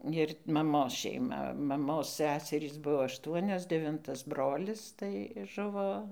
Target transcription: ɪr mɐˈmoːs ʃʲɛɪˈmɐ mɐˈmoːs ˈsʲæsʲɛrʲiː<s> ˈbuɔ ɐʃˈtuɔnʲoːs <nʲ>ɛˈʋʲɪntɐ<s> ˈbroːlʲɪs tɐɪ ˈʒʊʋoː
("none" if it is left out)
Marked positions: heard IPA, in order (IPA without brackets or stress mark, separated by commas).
s, dʲ, s